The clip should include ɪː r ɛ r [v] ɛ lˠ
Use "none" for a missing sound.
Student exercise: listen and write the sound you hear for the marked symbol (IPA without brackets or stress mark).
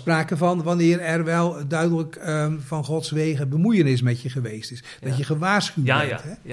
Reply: ʋ